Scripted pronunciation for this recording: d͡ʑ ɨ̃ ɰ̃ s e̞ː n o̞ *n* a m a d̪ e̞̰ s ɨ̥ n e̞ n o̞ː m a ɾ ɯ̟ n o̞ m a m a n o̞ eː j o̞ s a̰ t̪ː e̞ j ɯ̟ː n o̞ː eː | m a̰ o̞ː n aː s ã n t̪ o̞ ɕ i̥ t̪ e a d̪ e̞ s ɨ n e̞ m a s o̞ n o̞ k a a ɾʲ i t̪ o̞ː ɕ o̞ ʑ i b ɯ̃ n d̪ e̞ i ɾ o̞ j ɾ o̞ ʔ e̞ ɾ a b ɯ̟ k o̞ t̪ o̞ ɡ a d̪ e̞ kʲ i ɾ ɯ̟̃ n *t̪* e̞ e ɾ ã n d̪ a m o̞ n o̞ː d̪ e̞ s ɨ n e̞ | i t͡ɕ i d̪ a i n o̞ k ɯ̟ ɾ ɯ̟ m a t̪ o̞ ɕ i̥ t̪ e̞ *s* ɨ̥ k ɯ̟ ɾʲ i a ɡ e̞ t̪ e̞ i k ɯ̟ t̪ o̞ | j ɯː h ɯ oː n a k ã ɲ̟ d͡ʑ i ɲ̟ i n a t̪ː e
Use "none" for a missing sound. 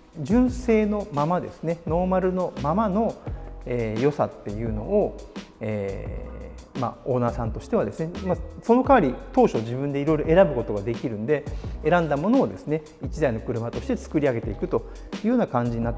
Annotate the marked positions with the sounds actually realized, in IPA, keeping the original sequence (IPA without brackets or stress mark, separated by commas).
m, d̪, t͡s